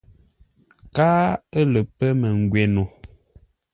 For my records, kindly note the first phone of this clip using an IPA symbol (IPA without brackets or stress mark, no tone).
k